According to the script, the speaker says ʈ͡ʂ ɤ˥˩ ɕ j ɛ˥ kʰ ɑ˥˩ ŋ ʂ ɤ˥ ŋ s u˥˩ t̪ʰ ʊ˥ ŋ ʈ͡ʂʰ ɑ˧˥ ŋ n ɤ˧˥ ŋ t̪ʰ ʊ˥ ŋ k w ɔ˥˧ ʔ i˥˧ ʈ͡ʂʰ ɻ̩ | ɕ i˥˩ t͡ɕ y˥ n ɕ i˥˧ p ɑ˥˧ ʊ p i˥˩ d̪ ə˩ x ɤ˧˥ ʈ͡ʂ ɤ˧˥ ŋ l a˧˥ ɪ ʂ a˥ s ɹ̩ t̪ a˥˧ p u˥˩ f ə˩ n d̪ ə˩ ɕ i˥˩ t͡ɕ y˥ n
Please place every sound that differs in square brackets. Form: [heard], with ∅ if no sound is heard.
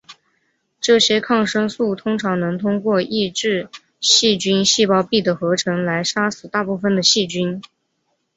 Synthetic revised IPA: ʈ͡ʂ ɤ˥˩ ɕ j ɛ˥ kʰ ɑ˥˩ ŋ ʂ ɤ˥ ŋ s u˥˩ t̪ʰ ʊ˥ ŋ ʈ͡ʂʰ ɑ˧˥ ŋ n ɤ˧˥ ŋ t̪ʰ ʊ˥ ŋ k w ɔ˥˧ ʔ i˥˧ [ʈ͡ʂ] ɻ̩ | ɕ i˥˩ t͡ɕ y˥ n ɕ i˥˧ p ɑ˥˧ ʊ p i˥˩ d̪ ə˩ x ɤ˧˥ [ʈ͡ʂʰ] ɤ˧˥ ŋ l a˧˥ ɪ ʂ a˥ s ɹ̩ t̪ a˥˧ p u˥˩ f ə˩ n d̪ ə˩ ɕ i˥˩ t͡ɕ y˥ n